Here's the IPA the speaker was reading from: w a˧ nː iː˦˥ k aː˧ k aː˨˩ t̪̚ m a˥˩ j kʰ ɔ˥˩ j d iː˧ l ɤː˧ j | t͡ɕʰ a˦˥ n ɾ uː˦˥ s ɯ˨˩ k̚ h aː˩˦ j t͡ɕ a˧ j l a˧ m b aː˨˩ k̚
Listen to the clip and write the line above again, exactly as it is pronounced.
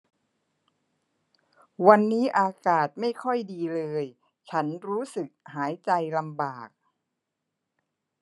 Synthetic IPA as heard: w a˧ nː iː˦˥ ʔ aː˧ k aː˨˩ t̪̚ m a˥˩ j kʰ ɔ˥˩ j d iː˧ l ɤː˧ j | t͡ɕʰ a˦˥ n ɾ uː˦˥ s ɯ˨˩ k̚ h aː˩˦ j t͡ɕ a˧ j l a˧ m b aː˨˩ k̚